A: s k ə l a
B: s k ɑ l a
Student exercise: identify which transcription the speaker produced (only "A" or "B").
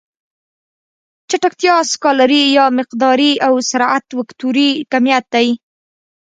B